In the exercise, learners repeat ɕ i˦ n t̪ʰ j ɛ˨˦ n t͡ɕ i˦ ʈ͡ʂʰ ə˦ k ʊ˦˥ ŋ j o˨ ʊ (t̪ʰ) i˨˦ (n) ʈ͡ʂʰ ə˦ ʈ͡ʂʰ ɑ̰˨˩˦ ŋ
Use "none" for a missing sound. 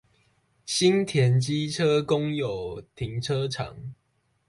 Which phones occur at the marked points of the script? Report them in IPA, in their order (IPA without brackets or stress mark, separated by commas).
t̪ʰ, ŋ